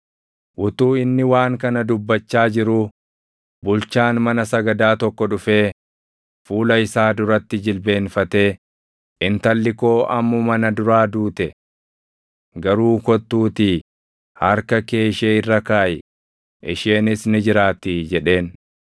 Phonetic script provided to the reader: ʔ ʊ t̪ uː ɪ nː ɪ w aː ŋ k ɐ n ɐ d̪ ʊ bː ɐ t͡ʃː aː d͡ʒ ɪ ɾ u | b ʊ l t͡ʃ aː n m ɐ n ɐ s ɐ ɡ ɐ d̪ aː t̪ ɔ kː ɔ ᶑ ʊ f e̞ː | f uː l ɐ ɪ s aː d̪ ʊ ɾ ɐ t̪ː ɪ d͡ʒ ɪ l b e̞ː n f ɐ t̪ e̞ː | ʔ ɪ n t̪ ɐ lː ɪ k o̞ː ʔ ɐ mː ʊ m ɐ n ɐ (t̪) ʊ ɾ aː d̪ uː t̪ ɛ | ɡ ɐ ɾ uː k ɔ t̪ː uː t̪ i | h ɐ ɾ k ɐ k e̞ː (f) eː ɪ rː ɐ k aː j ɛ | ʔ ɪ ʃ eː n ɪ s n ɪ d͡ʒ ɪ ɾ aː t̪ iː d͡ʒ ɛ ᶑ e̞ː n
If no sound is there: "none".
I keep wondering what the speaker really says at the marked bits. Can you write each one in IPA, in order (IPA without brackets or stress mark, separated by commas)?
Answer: d̪, ʃ